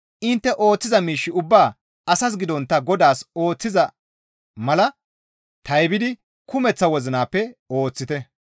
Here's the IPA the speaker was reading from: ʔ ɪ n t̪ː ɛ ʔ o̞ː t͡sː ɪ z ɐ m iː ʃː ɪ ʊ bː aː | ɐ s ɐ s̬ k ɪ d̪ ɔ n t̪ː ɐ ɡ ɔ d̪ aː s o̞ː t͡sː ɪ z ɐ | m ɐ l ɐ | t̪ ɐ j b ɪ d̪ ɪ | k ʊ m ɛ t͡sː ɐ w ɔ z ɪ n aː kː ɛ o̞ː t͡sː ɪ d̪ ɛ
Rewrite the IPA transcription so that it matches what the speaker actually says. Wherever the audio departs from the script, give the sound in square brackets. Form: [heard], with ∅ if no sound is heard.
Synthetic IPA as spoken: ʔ ɪ n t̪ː ɛ ʔ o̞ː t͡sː ɪ z ɐ m iː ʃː ɪ ʊ bː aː | ɐ s ɐ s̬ [ɡ] ɪ d̪ ɔ n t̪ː ɐ ɡ ɔ d̪ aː s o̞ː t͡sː ɪ z ɐ | m ɐ l ɐ | t̪ ɐ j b ɪ d̪ ɪ | k ʊ m ɛ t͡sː ɐ w ɔ z ɪ n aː [pː] ɛ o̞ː t͡sː ɪ [t̪] ɛ